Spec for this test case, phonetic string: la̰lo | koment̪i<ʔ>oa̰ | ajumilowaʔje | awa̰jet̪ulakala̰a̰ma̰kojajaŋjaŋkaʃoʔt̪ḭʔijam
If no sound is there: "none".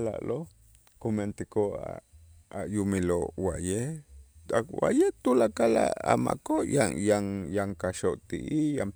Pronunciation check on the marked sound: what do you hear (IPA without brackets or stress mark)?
k